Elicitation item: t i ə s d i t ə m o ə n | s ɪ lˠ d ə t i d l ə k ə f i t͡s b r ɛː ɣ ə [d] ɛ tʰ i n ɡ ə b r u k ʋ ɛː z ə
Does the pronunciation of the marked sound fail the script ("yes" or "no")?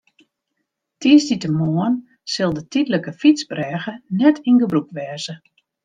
yes